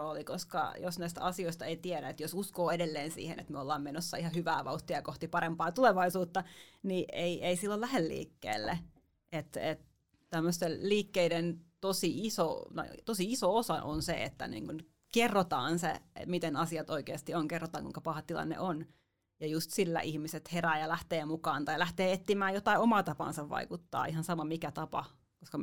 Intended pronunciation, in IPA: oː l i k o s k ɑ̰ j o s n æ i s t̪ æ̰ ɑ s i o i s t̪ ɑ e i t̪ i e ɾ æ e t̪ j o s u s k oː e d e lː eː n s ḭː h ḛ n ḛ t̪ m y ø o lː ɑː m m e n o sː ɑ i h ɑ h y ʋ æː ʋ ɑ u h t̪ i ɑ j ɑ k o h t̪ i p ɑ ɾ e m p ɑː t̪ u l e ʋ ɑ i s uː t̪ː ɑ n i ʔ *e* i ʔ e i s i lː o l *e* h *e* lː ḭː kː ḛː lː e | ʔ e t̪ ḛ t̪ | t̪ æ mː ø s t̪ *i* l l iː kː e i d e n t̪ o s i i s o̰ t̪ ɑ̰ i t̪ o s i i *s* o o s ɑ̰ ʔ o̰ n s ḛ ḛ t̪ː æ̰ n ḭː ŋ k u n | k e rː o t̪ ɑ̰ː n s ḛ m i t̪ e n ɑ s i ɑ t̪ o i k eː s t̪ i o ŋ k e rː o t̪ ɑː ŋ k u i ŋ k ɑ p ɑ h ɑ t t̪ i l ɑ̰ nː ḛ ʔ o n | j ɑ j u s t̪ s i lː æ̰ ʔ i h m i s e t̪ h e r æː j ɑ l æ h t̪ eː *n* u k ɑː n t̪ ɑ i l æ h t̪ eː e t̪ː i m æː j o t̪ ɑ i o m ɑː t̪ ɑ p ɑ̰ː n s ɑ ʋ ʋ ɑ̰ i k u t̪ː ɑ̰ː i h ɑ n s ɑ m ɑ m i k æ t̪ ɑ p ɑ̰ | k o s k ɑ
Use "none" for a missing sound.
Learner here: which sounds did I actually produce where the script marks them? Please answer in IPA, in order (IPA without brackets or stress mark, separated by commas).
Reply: e, æ, e, e, s, m